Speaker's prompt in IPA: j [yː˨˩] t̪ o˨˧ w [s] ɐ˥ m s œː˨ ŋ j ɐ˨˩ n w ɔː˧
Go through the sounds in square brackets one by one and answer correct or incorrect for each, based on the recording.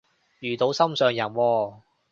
correct, correct

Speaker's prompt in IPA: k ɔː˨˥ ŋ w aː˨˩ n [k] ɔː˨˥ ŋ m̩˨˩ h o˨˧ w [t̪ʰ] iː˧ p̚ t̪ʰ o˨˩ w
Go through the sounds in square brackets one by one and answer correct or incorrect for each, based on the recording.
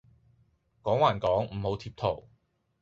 correct, correct

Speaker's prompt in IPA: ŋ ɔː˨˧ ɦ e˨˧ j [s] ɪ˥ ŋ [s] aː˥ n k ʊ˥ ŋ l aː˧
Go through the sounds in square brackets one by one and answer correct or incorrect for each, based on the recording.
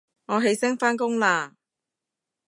correct, incorrect: f

